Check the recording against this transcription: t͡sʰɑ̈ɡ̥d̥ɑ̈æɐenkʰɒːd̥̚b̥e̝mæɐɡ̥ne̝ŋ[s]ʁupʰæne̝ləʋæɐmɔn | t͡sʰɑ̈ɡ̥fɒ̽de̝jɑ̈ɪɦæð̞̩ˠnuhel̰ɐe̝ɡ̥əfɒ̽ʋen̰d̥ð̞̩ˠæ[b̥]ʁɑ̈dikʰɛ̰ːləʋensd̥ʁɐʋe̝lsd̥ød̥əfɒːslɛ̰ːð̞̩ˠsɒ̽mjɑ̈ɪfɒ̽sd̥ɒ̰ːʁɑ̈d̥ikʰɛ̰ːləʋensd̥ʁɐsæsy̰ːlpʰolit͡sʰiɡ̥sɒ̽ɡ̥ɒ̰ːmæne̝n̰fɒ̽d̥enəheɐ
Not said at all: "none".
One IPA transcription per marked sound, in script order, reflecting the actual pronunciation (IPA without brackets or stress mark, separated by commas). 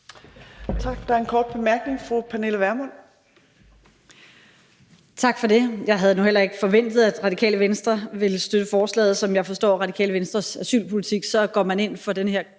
f, d̥